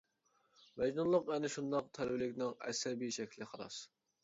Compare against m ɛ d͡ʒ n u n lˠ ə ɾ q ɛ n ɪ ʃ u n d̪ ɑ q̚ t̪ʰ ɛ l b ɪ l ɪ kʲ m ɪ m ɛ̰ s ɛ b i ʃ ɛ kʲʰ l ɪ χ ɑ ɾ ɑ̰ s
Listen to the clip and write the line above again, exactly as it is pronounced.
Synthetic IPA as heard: m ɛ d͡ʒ n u n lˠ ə q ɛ n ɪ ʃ u n d̪ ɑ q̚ t̪ʰ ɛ l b ɪ l ɪ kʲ n ɪ ŋ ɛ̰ s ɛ b i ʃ ɛ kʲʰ l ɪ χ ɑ ɾ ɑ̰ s